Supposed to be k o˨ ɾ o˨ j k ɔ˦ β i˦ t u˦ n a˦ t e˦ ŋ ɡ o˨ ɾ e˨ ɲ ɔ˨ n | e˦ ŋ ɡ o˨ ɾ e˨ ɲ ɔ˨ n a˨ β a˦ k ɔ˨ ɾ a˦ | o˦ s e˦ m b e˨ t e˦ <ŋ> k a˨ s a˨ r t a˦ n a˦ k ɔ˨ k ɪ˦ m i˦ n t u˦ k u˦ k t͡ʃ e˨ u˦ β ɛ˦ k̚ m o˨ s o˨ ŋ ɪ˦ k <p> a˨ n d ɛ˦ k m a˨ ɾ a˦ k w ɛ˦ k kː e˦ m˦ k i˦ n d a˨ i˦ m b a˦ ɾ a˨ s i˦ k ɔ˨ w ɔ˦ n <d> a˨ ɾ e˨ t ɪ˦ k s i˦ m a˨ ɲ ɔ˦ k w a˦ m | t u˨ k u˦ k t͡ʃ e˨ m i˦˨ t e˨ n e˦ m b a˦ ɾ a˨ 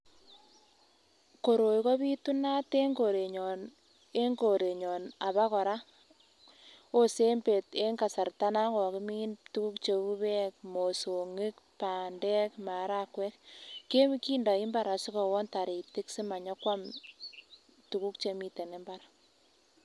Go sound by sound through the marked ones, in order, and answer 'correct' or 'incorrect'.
correct, correct, incorrect: t

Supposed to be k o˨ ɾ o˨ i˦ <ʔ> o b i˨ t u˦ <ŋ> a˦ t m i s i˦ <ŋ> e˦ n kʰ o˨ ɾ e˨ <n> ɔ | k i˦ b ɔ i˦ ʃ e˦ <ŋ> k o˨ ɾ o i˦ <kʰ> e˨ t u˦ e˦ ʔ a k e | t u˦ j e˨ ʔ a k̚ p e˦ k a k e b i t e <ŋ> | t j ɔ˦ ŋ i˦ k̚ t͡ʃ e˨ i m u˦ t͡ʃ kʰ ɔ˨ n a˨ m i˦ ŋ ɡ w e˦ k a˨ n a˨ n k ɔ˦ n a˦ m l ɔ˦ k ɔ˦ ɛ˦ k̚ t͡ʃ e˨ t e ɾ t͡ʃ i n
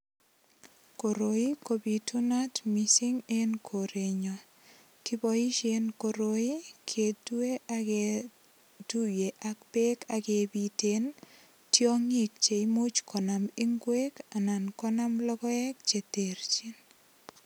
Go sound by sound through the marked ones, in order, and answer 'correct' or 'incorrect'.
incorrect: k, incorrect: n, correct, incorrect: ɲ, incorrect: n, correct, incorrect: n

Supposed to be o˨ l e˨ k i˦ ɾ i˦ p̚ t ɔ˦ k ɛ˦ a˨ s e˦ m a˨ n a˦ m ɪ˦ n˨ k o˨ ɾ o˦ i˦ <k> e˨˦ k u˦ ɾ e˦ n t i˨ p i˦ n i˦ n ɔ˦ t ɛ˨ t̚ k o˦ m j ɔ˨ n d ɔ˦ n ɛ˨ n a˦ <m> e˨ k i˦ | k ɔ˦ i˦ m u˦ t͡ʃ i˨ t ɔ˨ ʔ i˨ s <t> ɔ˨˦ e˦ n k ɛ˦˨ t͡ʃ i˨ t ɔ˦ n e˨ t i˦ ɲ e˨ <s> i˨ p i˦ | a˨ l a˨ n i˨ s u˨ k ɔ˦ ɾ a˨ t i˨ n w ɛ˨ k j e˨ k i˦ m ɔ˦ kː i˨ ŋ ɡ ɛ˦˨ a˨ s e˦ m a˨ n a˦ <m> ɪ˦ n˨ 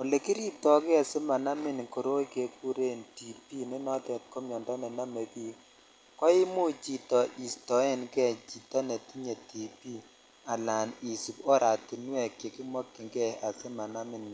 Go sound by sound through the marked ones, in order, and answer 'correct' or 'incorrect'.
correct, correct, correct, incorrect: t, correct

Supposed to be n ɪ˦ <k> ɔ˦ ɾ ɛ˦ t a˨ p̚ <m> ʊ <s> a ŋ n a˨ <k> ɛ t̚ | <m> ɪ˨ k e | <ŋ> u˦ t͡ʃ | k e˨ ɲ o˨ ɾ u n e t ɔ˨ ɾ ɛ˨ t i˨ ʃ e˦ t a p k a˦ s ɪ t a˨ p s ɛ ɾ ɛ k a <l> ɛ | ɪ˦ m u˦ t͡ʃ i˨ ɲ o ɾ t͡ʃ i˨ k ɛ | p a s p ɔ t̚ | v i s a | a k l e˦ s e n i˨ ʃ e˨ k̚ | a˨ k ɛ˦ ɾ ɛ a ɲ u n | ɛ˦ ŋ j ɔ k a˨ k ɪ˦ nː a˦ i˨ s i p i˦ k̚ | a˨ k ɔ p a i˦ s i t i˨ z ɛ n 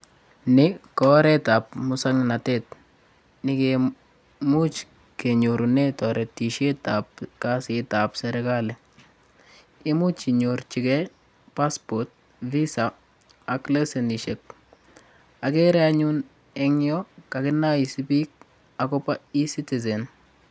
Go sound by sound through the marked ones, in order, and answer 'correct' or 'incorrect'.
correct, correct, correct, incorrect: t, incorrect: n, incorrect: m, correct

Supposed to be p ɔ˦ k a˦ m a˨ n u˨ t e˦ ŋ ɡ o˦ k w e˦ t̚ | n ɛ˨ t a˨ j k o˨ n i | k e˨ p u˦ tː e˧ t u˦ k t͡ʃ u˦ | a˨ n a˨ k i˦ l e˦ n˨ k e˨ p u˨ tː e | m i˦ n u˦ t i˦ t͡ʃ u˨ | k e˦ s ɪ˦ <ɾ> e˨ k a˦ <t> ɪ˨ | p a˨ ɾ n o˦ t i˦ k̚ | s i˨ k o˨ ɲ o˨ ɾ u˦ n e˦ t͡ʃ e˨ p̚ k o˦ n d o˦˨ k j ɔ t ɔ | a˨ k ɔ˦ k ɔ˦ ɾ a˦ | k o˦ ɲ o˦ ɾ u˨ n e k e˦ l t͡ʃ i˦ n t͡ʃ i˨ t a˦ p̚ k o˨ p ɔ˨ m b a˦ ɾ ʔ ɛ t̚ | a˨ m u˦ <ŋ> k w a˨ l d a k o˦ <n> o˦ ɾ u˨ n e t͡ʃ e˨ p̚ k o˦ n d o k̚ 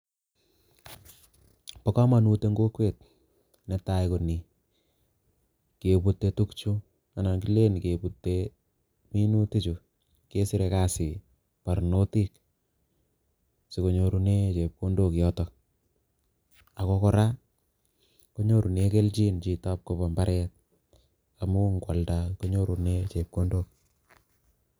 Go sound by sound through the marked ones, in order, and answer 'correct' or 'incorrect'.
correct, incorrect: s, correct, incorrect: ɲ

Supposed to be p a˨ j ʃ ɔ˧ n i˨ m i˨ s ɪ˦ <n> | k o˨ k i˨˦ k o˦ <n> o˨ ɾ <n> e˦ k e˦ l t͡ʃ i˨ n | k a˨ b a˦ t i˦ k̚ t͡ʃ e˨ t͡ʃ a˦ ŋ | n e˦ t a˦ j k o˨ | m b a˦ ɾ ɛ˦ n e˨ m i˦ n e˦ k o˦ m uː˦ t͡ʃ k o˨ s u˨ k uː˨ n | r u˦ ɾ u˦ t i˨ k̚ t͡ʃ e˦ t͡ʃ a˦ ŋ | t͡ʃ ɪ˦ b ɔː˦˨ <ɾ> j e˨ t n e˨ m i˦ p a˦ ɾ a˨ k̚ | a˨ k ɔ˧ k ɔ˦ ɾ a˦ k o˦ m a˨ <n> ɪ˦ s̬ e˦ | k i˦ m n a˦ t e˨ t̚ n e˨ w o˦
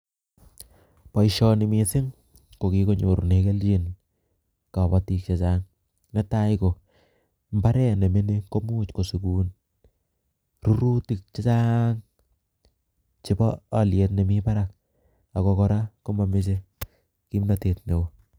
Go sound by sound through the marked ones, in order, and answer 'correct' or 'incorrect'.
incorrect: ŋ, incorrect: ɲ, correct, incorrect: l, incorrect: m

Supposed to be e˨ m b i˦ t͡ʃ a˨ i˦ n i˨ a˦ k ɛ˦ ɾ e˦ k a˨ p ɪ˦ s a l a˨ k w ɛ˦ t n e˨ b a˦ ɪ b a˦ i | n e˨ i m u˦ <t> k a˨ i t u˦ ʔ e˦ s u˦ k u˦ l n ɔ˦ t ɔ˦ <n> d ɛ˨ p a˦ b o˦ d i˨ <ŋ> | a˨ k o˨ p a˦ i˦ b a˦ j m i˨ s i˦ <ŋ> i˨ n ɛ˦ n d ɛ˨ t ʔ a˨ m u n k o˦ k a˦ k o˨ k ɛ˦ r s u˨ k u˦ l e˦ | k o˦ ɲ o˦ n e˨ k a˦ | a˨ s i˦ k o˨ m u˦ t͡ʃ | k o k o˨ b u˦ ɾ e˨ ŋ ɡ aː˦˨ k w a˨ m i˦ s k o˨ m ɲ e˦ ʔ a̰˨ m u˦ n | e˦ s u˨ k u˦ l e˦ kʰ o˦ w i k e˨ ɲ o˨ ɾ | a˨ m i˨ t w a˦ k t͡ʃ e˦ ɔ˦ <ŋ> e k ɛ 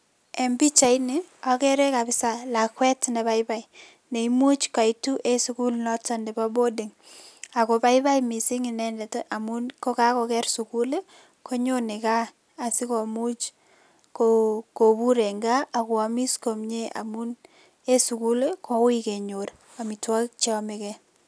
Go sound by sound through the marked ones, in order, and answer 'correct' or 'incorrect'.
incorrect: t͡ʃ, correct, correct, correct, incorrect: m

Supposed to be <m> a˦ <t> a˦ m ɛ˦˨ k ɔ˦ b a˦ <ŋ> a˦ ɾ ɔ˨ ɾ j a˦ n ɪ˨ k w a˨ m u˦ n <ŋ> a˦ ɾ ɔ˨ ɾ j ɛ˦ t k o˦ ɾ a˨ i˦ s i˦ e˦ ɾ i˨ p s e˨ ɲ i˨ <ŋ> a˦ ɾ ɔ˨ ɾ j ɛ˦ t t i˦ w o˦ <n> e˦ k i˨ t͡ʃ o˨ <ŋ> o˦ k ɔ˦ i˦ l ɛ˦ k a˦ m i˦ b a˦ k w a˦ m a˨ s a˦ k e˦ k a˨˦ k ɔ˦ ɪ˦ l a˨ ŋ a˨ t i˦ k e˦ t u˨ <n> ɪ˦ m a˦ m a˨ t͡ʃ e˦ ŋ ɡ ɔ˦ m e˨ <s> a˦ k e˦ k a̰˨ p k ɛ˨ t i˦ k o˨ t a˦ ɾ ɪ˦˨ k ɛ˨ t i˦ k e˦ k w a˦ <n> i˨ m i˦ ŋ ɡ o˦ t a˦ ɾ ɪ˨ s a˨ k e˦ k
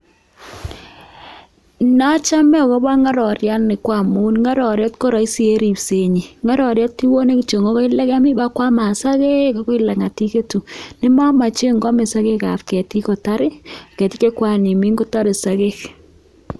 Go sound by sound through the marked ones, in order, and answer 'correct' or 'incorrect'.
incorrect: n, incorrect: t͡ʃ, correct, correct, correct, correct, correct, correct, correct, correct

